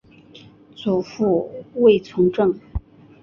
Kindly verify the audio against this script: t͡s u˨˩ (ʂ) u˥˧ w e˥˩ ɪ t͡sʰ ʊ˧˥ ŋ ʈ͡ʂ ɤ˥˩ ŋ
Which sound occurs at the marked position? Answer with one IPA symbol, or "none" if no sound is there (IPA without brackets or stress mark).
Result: f